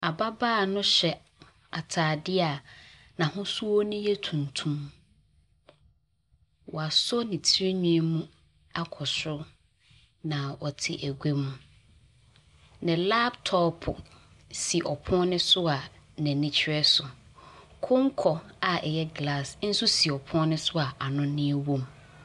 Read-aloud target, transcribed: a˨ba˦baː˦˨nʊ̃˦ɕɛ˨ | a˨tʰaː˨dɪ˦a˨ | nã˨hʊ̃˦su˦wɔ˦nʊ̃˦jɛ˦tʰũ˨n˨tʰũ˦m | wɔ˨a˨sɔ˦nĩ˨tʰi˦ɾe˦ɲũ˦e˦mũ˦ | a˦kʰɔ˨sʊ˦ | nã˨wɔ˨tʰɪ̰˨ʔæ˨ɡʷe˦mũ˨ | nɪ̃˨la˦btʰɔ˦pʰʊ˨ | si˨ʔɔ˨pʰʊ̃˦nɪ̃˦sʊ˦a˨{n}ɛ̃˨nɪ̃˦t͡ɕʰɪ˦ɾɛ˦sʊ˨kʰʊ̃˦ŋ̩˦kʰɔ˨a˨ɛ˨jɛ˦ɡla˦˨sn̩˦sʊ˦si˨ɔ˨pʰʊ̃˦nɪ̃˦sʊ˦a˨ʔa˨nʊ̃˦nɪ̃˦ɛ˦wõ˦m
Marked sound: correct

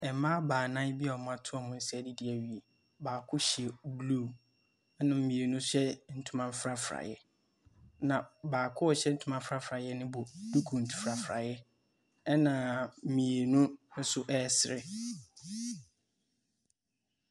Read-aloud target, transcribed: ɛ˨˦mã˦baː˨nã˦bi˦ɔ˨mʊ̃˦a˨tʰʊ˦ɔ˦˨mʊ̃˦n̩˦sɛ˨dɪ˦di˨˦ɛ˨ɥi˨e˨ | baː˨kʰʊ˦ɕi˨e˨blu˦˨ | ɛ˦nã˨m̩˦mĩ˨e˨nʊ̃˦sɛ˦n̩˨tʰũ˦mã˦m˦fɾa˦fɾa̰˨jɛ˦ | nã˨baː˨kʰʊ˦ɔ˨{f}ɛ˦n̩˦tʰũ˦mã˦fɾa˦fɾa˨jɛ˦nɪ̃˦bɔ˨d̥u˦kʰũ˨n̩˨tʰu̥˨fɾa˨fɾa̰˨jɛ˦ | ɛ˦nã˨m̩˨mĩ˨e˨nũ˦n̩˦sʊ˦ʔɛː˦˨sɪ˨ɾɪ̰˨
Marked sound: incorrect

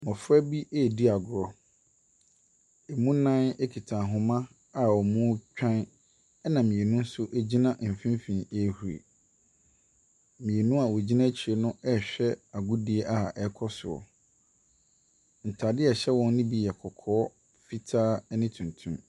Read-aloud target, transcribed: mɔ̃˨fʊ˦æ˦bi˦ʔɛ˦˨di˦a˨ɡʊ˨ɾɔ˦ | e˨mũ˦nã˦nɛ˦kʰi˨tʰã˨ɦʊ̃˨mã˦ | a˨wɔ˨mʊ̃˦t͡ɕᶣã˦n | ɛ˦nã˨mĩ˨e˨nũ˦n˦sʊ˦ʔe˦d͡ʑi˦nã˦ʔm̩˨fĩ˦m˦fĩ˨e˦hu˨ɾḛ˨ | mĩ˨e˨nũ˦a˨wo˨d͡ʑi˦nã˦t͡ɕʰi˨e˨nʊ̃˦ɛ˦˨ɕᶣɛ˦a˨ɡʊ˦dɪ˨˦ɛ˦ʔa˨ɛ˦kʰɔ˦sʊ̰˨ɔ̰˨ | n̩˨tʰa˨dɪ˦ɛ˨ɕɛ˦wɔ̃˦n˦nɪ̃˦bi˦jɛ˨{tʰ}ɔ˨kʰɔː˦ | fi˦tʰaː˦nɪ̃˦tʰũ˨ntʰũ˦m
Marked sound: incorrect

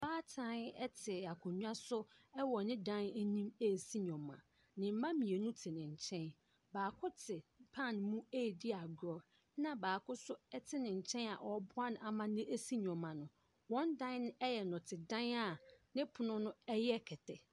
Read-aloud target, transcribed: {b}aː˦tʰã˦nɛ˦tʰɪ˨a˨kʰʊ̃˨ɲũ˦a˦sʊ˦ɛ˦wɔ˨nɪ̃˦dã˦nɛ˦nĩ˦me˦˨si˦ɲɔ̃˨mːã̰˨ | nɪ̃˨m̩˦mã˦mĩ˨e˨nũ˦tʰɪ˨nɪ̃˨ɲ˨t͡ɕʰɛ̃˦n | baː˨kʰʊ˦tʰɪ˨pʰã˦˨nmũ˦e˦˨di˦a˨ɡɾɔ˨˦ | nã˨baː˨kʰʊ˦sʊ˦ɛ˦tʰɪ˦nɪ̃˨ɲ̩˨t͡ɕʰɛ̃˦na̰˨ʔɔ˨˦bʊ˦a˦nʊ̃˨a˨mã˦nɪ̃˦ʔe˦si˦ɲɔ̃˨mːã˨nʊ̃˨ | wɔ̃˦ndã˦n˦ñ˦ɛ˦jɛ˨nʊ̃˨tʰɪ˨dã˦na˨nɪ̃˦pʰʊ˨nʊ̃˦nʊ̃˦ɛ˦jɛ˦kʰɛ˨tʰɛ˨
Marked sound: correct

